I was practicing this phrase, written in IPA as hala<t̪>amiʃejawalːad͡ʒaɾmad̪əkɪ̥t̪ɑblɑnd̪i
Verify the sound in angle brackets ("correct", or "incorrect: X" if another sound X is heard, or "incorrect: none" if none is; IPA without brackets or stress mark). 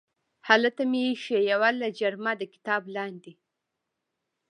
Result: correct